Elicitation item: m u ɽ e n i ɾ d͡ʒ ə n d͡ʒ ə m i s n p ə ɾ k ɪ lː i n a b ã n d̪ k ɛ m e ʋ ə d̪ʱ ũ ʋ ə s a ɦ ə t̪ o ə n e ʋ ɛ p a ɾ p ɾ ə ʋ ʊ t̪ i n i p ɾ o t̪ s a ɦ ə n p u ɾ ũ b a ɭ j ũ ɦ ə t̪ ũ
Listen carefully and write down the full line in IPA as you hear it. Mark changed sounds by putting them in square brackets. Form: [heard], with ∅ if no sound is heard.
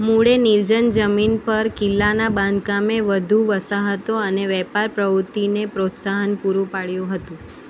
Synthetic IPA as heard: m u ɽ e n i ɾ d͡ʒ ə n d͡ʒ ə m i [∅] n p ə ɾ k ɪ lː [a] n a b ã n d̪ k [a] m e ʋ ə d̪ʱ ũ ʋ ə s a ɦ ə t̪ o ə n e ʋ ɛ p a ɾ p ɾ ə ʋ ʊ t̪ i n [e] p ɾ o t̪ s a ɦ ə n p u ɾ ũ [p] a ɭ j ũ ɦ ə t̪ ũ